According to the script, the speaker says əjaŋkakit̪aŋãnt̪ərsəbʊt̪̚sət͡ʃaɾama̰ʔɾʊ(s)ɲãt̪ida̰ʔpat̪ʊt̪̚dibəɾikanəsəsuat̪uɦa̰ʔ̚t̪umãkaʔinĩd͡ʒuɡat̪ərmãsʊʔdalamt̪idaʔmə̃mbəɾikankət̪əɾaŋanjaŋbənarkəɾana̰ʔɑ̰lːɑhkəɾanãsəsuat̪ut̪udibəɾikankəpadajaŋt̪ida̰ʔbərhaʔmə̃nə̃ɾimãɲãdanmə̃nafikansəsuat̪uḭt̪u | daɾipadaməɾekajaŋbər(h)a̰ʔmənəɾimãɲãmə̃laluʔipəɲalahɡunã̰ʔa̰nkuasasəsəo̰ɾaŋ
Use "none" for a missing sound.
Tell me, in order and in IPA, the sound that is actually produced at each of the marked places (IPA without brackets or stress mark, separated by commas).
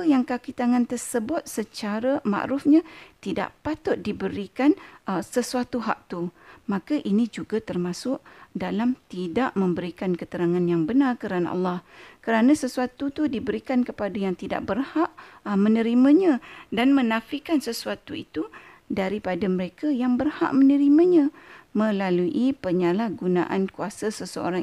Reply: f, h